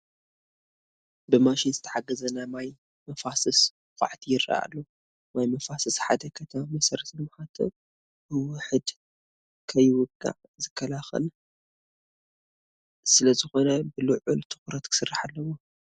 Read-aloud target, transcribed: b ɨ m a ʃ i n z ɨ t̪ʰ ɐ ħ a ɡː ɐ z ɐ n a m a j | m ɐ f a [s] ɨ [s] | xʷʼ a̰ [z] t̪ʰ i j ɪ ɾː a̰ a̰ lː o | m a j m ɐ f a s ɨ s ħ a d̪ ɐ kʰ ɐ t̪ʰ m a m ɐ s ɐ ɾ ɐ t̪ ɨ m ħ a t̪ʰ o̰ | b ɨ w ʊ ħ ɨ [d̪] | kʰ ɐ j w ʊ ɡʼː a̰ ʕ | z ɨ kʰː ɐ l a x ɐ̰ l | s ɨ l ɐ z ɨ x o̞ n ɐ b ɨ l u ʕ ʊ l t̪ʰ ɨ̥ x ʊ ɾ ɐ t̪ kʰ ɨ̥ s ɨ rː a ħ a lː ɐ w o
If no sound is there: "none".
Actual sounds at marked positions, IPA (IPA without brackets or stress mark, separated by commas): s, s, ʕ, d̪